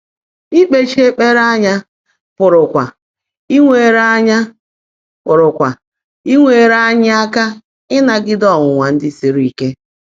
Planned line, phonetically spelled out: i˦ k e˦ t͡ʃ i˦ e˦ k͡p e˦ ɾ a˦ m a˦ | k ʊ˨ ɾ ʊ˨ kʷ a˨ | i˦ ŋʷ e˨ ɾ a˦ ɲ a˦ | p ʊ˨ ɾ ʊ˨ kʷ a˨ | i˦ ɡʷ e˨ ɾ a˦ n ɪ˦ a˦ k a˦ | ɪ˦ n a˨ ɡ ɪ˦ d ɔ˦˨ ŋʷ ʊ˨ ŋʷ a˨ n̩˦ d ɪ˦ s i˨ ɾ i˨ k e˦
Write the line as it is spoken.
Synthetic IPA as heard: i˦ k͡p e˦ t͡ʃ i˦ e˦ k͡p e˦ ɾ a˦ ɲ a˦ | p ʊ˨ ɾ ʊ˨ kʷ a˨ | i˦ ŋʷ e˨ ɾ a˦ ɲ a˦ | p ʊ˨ ɾ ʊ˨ kʷ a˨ | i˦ ŋʷ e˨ ɾ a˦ ɲ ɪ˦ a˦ k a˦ | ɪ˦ n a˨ ɡ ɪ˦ d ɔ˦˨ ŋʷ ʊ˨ ŋʷ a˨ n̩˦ d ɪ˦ s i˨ ɾ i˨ k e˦